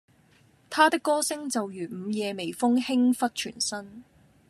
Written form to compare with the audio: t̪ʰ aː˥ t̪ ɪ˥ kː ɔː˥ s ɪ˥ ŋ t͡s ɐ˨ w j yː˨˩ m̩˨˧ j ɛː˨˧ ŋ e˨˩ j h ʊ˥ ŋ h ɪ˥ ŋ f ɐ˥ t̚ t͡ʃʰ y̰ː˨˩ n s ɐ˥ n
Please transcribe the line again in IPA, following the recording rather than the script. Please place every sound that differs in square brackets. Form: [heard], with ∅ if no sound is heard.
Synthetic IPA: t̪ʰ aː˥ t̪ ɪ˥ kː ɔː˥ s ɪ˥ ŋ t͡s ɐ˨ w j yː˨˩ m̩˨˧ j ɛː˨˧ [m] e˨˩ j [f] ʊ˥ ŋ h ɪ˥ ŋ f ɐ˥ t̚ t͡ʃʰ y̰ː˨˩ n s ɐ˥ n